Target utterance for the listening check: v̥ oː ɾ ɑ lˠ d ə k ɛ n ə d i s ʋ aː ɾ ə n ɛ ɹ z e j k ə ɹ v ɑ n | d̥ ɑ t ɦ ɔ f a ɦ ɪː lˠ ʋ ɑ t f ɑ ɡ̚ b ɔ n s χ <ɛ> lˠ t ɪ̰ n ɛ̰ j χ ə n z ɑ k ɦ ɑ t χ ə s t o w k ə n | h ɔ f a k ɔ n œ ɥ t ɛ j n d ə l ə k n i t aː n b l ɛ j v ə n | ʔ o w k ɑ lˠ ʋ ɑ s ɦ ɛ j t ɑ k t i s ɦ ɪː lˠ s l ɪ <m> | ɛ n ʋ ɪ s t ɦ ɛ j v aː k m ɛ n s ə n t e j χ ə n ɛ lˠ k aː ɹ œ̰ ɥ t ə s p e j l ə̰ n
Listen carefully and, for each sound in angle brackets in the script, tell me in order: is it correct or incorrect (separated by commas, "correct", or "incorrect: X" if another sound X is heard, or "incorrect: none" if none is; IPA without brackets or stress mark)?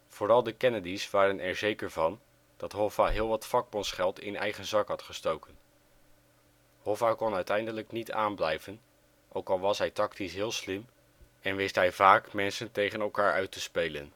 correct, correct